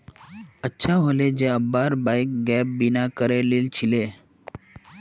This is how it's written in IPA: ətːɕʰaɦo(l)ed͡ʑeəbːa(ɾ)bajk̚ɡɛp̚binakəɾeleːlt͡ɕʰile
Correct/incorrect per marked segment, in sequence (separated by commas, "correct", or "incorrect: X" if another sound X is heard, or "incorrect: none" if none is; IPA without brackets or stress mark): correct, correct